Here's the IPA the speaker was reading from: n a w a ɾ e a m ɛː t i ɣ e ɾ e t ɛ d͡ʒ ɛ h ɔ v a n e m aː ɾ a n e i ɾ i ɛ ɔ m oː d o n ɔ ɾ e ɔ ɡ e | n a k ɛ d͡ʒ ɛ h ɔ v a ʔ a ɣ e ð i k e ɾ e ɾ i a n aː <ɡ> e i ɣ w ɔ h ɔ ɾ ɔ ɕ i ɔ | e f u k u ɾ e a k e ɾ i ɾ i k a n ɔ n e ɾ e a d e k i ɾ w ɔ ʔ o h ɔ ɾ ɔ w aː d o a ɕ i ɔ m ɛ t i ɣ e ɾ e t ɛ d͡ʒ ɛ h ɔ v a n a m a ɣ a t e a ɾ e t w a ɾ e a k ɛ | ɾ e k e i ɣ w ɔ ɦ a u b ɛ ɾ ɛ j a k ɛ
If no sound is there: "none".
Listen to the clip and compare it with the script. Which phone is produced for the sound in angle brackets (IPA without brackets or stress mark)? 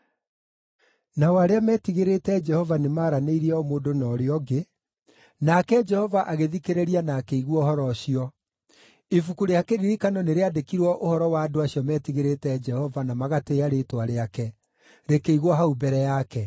k